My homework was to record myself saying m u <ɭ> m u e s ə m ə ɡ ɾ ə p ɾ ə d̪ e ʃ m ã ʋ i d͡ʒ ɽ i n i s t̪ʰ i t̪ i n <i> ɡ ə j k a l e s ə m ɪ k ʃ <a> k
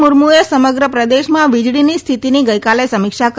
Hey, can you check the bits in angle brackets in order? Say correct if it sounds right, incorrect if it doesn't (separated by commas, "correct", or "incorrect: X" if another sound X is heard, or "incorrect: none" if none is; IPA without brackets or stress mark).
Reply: incorrect: ɾ, correct, correct